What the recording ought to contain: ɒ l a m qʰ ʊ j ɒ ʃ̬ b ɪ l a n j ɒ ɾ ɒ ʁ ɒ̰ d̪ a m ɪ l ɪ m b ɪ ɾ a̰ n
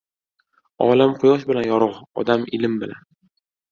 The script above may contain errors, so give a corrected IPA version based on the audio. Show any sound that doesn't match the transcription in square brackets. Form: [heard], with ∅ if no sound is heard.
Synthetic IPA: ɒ l a m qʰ ʊ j ɒ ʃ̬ b ɪ l a n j ɒ ɾ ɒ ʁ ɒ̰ d̪ a m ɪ l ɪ m b ɪ [l] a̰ n